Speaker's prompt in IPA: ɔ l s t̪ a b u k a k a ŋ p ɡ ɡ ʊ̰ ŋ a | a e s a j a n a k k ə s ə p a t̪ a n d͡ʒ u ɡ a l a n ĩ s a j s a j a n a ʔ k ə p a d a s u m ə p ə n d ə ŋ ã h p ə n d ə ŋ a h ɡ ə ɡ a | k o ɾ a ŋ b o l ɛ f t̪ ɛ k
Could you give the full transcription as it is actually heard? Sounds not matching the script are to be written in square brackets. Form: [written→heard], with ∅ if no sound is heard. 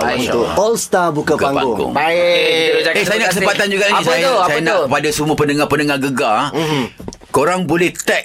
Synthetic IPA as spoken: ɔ l s t̪ a b u k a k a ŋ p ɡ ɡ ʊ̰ ŋ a | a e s a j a n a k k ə s ə p a t̪ a n d͡ʒ u ɡ a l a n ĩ s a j s a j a n a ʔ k ə p a d a s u m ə p ə n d ə ŋ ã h p ə n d ə ŋ a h ɡ ə ɡ a | k o ɾ a ŋ b o l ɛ [f→h] t̪ ɛ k